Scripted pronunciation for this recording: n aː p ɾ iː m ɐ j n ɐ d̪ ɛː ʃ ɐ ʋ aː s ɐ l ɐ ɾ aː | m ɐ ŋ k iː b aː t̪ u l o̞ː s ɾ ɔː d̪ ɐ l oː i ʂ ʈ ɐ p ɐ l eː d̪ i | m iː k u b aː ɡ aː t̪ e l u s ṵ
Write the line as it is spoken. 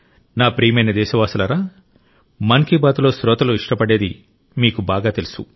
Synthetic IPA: n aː p ɾ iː m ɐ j n ɐ d̪ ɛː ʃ ɐ ʋ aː s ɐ l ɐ ɾ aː | m ɐ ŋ k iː b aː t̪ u l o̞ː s ɾ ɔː t̪ ɐ l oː i ʂ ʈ ɐ p ɐ ɽ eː d̪ i | m iː k u b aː ɡ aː t̪ e l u s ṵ